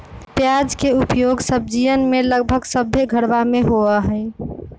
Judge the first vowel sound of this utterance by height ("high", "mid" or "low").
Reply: low